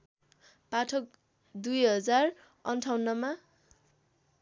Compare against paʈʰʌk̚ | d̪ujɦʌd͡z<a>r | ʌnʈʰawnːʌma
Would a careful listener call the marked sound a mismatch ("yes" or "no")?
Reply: no